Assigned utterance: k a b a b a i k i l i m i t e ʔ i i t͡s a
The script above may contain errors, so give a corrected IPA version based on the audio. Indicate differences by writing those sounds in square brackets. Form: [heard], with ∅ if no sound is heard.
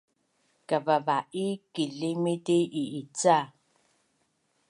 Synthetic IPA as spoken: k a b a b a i k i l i m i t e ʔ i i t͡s a